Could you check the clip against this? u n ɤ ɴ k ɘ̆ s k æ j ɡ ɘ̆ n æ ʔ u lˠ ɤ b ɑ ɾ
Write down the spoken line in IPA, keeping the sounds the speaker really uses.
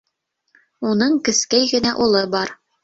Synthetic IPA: u n ɤ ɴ k ɘ̆ s k æ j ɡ ɘ̆ n æ ʔ u lˠ ɤ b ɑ ɾ